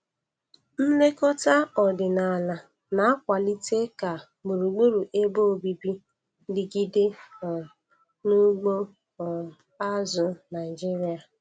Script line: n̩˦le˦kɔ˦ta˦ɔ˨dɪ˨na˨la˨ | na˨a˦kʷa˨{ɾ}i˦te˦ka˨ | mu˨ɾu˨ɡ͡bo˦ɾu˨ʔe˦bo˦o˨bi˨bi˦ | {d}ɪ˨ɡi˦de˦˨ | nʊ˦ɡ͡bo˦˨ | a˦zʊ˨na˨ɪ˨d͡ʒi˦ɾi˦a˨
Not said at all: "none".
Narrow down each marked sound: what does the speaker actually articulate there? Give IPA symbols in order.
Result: l, d

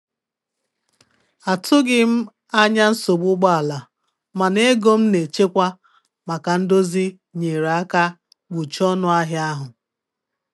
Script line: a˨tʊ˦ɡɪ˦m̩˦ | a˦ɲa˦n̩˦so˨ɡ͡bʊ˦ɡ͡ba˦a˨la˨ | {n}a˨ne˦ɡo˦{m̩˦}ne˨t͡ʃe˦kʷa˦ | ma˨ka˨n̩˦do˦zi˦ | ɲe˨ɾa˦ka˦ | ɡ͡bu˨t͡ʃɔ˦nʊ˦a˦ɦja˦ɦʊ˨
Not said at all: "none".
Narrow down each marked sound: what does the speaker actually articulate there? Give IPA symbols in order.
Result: m, m̩˦

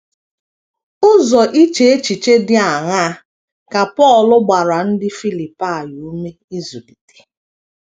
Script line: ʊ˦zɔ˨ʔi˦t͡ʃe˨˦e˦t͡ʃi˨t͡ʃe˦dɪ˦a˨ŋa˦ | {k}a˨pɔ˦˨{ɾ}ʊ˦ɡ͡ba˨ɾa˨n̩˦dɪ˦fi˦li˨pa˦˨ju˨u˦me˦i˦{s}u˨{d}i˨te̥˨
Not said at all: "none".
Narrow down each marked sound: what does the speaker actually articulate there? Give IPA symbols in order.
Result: k, l, z, d

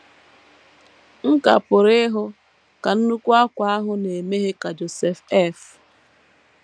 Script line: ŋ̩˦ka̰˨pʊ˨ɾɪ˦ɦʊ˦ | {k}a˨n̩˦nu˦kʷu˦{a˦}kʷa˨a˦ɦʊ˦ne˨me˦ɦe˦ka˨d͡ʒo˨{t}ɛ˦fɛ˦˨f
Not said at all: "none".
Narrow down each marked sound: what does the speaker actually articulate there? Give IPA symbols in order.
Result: k, a˦, s

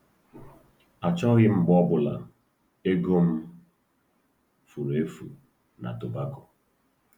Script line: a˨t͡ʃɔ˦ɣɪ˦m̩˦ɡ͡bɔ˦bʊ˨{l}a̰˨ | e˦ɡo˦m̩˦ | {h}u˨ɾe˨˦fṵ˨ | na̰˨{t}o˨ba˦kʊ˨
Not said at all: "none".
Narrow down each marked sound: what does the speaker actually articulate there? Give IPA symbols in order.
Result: l, f, t

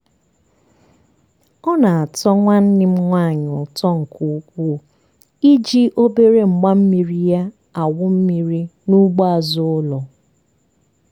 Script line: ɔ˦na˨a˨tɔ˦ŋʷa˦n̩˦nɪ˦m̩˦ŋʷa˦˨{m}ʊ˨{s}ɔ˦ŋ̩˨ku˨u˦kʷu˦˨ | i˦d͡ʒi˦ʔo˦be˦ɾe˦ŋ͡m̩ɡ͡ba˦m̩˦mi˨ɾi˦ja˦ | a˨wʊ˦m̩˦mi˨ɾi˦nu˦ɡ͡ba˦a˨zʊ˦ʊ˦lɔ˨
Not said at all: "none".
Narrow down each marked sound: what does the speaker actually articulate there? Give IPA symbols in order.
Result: ɲ, t

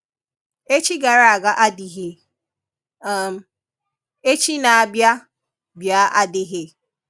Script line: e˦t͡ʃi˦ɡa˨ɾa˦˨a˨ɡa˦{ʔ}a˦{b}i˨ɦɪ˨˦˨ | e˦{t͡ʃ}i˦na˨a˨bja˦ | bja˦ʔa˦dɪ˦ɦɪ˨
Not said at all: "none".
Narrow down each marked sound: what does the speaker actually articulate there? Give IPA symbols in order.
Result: ʔ, d, t͡ʃ

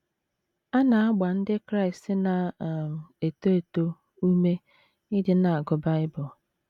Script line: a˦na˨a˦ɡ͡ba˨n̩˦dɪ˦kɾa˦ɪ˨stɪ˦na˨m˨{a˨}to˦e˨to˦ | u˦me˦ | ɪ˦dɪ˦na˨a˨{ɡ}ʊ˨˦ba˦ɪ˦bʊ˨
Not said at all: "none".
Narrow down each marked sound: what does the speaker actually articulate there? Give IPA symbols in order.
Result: e˨, ɡ

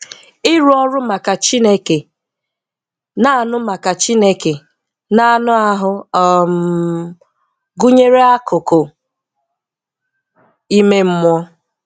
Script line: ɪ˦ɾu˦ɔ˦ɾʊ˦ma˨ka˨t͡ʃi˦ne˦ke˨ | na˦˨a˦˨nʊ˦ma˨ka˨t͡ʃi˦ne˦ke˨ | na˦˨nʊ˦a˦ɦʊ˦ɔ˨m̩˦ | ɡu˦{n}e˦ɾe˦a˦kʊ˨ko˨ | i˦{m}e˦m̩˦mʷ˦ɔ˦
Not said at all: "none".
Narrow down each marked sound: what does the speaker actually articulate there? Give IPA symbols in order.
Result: ɲ, m

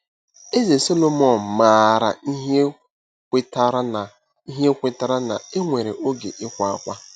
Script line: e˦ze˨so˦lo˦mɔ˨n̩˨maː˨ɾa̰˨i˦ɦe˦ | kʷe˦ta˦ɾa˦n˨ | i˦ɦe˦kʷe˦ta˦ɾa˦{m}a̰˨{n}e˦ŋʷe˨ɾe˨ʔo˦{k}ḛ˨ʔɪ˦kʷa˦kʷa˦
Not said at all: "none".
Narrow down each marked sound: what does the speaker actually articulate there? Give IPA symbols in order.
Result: n, none, ɡ

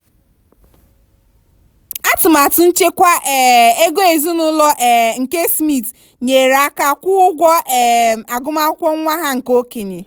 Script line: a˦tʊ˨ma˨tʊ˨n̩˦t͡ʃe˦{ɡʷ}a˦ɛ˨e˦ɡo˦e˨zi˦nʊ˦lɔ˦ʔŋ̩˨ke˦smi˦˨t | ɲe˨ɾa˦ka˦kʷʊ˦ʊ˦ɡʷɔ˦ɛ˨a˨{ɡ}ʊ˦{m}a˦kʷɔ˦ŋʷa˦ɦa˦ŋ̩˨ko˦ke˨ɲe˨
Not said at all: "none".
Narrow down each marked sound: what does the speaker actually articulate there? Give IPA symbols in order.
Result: kʷ, ɡ, m

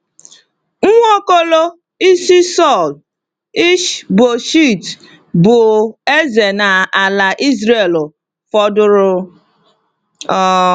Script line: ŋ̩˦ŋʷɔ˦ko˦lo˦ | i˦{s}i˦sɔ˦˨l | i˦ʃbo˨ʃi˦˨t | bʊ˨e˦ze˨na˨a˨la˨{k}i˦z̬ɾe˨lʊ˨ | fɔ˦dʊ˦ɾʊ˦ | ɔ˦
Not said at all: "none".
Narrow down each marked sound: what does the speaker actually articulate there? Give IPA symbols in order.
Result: s, ʔ

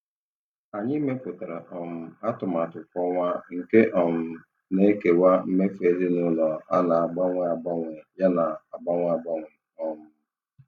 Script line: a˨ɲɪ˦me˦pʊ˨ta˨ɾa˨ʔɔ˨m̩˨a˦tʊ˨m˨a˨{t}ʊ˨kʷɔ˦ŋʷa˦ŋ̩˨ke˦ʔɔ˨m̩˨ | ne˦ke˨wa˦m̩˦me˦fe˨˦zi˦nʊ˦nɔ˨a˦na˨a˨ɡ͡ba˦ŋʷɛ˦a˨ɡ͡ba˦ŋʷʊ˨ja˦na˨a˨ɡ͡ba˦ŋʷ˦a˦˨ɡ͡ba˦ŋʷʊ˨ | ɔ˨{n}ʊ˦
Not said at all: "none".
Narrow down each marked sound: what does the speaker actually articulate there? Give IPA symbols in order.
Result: t, m

